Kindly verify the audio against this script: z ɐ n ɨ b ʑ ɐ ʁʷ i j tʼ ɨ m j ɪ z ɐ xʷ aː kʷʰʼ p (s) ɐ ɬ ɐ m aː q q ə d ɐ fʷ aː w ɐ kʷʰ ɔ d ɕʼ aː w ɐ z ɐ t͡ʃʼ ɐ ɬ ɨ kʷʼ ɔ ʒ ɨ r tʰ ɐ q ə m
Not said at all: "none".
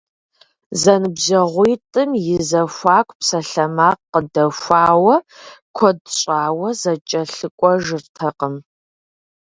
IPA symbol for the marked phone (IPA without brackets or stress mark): s